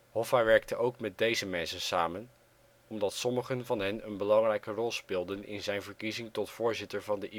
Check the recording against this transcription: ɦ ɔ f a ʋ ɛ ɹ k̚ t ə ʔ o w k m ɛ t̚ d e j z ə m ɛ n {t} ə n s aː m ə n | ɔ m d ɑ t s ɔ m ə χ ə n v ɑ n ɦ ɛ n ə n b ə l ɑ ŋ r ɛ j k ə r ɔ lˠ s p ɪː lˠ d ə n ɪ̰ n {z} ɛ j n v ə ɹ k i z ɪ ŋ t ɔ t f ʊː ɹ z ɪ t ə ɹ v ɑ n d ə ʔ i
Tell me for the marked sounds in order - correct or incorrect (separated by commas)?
incorrect, correct